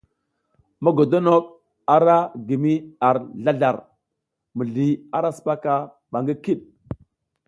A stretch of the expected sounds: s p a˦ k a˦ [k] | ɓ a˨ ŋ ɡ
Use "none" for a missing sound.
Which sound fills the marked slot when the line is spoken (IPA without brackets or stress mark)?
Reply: none